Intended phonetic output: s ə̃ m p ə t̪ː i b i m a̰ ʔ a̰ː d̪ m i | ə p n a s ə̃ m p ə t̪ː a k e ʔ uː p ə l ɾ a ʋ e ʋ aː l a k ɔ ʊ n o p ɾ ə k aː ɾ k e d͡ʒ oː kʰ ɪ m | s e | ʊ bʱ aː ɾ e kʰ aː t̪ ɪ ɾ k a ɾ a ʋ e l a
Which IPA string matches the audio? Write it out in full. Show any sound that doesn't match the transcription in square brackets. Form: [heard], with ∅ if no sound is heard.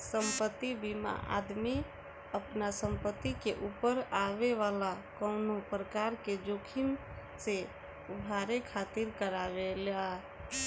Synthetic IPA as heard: s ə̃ m p ə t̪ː i b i m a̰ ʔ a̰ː d̪ m i | ə p n a s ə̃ m p ə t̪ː [i] k e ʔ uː p ə [∅] ɾ a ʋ e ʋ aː l a k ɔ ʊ n o p ɾ ə k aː ɾ k e d͡ʒ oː kʰ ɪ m | s e | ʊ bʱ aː ɾ e kʰ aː t̪ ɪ ɾ k [ə] ɾ a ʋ e l a

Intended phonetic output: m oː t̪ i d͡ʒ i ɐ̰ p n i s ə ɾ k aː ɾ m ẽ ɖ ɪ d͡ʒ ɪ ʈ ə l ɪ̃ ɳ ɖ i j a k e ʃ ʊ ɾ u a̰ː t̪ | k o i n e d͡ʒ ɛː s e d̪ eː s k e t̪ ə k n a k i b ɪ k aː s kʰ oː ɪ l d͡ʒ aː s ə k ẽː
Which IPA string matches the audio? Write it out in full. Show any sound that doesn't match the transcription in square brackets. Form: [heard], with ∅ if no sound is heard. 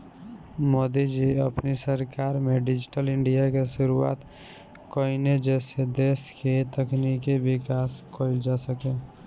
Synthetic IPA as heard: m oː [d̪] i d͡ʒ i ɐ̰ p n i s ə ɾ k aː ɾ m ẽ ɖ ɪ d͡ʒ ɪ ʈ ə l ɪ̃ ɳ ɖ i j a k e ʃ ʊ ɾ u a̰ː t̪ | k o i n e d͡ʒ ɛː s e d̪ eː s k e t̪ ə k n [i] k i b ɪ k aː s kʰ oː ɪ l d͡ʒ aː s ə k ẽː

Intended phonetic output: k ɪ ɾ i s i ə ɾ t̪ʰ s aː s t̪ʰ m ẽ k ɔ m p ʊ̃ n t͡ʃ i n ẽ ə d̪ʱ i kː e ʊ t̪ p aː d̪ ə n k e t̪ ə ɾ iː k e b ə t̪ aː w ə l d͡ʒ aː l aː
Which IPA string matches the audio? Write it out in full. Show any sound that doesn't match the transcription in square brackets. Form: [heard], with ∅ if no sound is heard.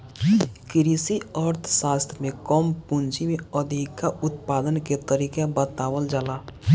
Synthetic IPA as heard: k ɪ ɾ i s i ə ɾ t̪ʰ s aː s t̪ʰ m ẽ k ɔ m p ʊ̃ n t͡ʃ i [m] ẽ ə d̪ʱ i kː [a] ʊ t̪ p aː d̪ ə n k e t̪ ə ɾ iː k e b ə t̪ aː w ə l d͡ʒ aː l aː

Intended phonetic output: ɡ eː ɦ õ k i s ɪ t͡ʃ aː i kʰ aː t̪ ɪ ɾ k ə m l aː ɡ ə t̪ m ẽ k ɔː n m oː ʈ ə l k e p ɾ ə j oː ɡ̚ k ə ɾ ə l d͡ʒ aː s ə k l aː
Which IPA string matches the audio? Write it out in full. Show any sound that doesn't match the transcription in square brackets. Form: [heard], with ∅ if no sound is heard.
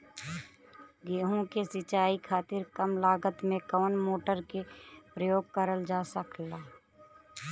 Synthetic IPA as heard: ɡ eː ɦ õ k [e] s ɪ t͡ʃ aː i kʰ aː t̪ ɪ ɾ k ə m l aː ɡ ə t̪ m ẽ k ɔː n m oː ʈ ə [ɾ] k e p ɾ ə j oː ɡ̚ k ə ɾ ə l d͡ʒ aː s ə k l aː

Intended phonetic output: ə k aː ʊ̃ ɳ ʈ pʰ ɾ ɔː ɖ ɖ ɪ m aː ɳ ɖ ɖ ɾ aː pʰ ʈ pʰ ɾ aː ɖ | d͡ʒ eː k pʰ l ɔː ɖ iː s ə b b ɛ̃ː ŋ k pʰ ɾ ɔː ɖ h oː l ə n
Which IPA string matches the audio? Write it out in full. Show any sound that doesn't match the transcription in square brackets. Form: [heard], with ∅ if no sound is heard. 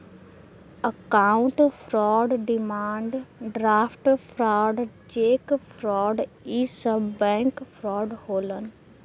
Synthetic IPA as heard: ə k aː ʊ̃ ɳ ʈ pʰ ɾ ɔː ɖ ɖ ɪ m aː ɳ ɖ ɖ ɾ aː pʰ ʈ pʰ ɾ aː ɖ | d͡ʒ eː k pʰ [ɾ] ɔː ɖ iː s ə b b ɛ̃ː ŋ k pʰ ɾ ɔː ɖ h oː l ə n

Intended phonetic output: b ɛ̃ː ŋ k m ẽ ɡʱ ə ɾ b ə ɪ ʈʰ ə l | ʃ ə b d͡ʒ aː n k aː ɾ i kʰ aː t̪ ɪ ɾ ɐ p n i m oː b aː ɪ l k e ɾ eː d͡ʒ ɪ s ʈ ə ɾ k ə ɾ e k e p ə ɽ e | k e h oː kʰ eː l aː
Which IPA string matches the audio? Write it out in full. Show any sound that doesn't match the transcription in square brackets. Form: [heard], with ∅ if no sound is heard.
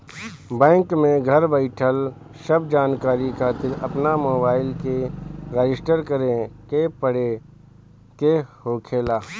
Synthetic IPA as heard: b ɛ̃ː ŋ k m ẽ ɡʱ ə ɾ b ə ɪ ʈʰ ə l | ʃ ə b d͡ʒ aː n k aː ɾ i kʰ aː t̪ ɪ ɾ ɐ p n [a] m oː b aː ɪ l k e ɾ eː d͡ʒ ɪ s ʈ ə ɾ k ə ɾ e k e p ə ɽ e | k e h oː kʰ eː l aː

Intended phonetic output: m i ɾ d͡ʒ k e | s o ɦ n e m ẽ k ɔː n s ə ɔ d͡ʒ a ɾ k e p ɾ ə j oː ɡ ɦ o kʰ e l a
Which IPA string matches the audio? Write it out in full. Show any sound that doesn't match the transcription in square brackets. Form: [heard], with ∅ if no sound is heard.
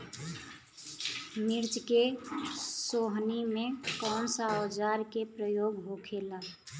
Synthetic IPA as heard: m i ɾ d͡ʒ k e | s o ɦ n [i] m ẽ k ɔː n s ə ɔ d͡ʒ a ɾ k e p ɾ ə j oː ɡ ɦ o kʰ e l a

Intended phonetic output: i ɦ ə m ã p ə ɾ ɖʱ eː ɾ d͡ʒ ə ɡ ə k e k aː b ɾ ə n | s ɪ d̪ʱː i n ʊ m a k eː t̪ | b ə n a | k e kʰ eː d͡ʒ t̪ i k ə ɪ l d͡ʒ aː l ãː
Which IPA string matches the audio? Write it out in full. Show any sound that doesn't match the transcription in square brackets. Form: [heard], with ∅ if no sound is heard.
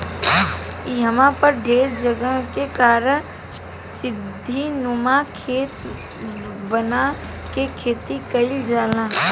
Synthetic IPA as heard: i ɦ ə m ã p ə ɾ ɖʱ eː ɾ d͡ʒ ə ɡ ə k e k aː [∅] ɾ ə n | s ɪ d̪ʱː i n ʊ m a [kʰ] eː t̪ | b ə n a | k e kʰ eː [∅] t̪ i k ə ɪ l d͡ʒ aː l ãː

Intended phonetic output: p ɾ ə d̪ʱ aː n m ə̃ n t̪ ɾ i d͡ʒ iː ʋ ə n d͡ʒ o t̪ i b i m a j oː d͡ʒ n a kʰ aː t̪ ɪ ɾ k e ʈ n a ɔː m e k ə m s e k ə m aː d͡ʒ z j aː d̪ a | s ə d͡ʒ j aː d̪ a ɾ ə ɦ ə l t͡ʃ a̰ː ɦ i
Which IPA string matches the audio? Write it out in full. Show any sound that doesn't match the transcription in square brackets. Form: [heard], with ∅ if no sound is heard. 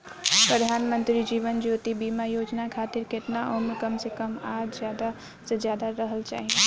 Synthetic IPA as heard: p ɾ ə d̪ʱ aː n m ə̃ n t̪ ɾ i d͡ʒ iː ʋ ə n d͡ʒ o t̪ i b i m a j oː d͡ʒ n a kʰ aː t̪ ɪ ɾ k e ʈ n a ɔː m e k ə m s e k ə m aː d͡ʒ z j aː d̪ a | s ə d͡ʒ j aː d̪ a ɾ ə ɦ ə l t͡ʃ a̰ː ɦ i

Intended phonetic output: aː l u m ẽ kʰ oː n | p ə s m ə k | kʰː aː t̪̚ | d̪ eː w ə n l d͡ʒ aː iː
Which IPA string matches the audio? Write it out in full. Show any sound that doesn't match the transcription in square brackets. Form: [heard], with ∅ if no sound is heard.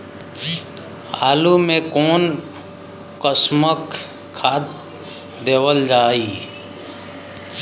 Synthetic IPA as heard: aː l u m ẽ [k] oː n | [k] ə s m ə k | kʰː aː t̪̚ | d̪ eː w ə [∅] l d͡ʒ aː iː

